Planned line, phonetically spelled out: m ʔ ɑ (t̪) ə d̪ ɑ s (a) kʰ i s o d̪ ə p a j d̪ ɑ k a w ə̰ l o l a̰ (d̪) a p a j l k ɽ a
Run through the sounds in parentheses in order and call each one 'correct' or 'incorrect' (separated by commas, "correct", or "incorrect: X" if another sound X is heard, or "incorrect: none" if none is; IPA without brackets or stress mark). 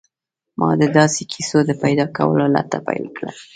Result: incorrect: d̪, incorrect: e, incorrect: t̪